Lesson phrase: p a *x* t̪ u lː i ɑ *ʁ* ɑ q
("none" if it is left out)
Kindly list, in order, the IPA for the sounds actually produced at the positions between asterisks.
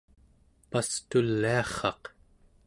s, χ

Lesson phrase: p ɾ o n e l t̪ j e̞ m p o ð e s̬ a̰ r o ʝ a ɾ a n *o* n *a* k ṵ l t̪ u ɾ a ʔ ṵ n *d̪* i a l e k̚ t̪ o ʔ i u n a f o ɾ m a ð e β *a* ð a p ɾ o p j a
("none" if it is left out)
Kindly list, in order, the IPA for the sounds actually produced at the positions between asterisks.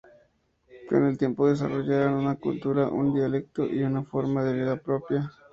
u, a, d̪, i

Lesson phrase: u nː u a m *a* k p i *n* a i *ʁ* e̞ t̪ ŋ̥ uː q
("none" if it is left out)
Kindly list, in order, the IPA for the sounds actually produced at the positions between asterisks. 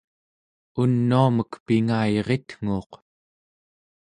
ə, ŋ, ʁ

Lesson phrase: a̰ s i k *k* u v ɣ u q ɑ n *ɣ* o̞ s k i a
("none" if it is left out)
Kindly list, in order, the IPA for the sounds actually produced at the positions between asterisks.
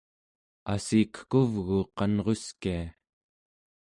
k, ʁ

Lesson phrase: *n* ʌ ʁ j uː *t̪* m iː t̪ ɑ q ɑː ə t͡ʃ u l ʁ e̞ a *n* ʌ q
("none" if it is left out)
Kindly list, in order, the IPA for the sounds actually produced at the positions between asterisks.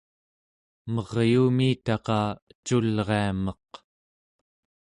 m, none, m

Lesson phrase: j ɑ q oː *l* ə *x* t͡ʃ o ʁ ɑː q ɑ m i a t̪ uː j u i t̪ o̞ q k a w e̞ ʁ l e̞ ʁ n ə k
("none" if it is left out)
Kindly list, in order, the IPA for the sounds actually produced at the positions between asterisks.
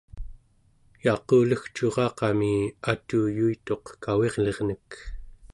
l, x

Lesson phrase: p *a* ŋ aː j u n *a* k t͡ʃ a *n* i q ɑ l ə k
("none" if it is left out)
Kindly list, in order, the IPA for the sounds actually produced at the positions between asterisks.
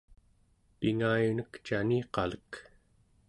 i, ə, n

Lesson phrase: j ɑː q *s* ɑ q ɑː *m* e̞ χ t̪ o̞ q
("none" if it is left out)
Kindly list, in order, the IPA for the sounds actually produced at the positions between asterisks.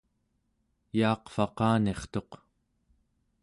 f, n

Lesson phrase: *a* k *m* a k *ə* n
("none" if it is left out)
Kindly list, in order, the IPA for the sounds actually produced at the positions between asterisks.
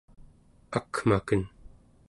a, m, ə

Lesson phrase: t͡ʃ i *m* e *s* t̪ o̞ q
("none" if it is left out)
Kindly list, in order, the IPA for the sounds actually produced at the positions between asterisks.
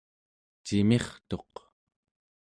m, χ

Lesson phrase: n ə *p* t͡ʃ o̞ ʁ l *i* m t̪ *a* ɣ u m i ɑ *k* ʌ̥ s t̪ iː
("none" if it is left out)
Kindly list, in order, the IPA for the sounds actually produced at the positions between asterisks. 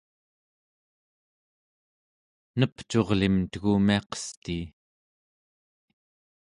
p, i, ə, q

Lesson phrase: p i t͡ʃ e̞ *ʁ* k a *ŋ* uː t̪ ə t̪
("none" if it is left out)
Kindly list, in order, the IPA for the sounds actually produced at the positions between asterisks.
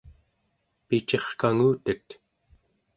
χ, ŋ

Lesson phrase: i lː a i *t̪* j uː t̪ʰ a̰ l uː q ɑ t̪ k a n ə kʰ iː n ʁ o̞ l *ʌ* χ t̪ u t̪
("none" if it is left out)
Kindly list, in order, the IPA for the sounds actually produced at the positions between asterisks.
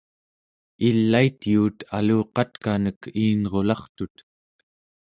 t̪, ɑ

